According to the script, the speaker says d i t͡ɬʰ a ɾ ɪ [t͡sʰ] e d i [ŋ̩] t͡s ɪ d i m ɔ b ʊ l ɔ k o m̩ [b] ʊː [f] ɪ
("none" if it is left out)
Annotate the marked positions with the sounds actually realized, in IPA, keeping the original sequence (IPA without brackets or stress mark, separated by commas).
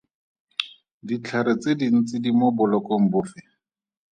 t͡s, n̩, b, f